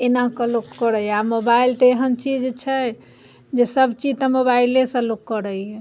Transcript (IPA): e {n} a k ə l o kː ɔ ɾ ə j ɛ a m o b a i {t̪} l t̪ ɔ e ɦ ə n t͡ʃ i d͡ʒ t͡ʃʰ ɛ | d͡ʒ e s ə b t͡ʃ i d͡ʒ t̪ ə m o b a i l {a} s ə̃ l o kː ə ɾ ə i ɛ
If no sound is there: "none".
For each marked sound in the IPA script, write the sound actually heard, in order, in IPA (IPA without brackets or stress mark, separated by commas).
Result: n, none, e